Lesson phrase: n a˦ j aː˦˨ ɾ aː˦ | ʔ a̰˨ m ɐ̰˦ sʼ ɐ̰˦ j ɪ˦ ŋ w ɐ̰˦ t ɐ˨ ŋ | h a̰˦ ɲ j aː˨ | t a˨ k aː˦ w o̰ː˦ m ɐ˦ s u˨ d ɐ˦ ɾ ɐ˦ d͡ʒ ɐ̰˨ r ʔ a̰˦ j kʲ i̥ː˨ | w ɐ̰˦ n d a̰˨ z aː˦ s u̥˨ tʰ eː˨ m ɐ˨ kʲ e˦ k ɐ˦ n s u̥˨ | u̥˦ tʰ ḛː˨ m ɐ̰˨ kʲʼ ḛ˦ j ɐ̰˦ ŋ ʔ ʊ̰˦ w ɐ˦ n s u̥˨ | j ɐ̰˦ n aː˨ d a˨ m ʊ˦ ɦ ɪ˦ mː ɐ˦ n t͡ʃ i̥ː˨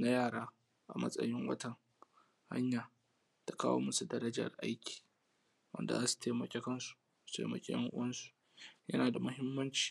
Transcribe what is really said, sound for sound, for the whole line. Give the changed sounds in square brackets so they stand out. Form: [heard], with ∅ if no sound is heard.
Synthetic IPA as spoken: n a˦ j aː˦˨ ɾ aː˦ | ʔ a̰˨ m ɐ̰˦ sʼ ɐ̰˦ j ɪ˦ ŋ w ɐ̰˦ t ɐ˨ ŋ | h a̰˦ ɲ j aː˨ | t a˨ k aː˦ w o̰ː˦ m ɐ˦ s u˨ d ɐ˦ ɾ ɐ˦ d͡ʒ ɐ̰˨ r ʔ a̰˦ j kʲ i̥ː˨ | w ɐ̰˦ n d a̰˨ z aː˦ s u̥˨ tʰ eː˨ m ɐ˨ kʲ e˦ k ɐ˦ n s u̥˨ | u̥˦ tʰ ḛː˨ m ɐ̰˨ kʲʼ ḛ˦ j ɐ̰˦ ŋ ʔ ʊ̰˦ w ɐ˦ n s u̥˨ | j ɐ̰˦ n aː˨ d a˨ m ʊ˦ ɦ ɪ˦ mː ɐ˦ n t͡ʃ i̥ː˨